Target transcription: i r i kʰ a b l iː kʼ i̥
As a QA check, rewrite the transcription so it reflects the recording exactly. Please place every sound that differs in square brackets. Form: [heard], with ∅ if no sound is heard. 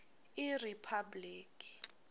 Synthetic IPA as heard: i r i [pʰ] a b l iː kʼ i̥